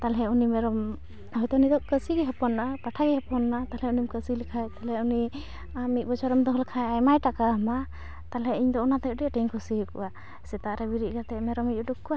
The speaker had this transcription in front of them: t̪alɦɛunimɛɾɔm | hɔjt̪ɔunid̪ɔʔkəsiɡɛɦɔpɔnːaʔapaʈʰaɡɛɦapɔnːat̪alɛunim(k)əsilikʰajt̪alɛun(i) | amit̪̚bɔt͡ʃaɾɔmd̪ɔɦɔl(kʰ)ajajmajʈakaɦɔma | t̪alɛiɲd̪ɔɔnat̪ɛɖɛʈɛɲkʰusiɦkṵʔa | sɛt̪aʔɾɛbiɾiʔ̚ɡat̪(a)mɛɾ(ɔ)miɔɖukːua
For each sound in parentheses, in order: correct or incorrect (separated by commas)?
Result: correct, correct, correct, incorrect, correct